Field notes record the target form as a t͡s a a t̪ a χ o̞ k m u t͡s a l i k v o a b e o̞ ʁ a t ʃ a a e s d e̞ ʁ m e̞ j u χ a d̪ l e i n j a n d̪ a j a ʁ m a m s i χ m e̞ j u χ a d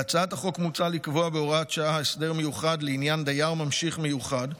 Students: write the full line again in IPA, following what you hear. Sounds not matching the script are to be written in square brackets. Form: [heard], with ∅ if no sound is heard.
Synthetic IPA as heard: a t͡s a a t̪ a χ o̞ k m u t͡s a l i k v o a b e o̞ ʁ a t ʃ a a e s d e̞ ʁ m e̞ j u χ a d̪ l e i n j a n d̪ a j a ʁ m a m [ʃ] i χ m e̞ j u χ a d

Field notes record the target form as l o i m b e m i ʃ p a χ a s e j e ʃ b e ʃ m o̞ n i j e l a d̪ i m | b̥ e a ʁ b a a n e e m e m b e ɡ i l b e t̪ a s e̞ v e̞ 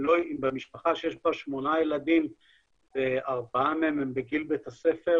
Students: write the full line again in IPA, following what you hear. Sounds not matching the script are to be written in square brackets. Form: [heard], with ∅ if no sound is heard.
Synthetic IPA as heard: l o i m b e m i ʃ p a χ a [ʃ] e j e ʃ b [a] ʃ m o̞ n [a] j e l a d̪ i m | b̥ e a ʁ b a a [m] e e m e m b e ɡ i l b e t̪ a s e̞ [f] e̞

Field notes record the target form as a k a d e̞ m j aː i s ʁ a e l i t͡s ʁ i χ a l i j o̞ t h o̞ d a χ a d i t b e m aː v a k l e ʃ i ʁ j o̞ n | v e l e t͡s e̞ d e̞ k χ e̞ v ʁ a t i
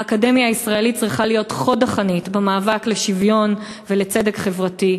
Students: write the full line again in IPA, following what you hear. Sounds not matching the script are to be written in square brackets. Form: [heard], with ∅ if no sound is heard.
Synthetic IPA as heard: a k a d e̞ m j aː i s ʁ a e l i t͡s ʁ i χ a l i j o̞ t [χ] o̞ d a χ a [n] i t b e m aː v a k l e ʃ i [v] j o̞ n | v e l e t͡s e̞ d e̞ k χ e̞ v ʁ a t i

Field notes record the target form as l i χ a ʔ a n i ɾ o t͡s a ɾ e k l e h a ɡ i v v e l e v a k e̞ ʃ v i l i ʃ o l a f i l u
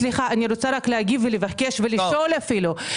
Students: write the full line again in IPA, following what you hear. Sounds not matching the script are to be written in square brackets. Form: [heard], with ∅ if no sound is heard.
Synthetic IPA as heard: l i χ a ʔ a n i ɾ o t͡s a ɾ [a] k l e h a ɡ i v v e l e v a k e̞ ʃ v [e] l i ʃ o l a f i l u

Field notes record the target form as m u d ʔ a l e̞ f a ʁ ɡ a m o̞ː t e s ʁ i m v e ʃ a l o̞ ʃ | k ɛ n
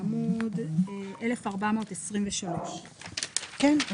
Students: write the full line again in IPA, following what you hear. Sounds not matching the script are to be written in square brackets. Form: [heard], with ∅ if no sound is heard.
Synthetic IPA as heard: m u d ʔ [e] l e̞ f a ʁ [b] a m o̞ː t e s ʁ i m v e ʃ a l o̞ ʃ | k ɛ n

